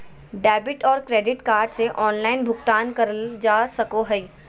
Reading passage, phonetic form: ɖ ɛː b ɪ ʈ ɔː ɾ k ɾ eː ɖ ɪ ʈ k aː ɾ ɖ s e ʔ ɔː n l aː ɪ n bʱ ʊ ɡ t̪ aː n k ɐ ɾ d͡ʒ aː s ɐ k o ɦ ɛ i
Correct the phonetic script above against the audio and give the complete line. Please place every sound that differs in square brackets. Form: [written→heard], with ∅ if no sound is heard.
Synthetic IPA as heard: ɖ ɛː b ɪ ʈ ɔː ɾ k ɾ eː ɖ ɪ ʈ k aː ɾ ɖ s e ʔ ɔː n l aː ɪ n bʱ ʊ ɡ t̪ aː n k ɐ ɾ d͡ʒ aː s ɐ k o ɦ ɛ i